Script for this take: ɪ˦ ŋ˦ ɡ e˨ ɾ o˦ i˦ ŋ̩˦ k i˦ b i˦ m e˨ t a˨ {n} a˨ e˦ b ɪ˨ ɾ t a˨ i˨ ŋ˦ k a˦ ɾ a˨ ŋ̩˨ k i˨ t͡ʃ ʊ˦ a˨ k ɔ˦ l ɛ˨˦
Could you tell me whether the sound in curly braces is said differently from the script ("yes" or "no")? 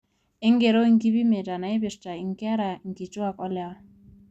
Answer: no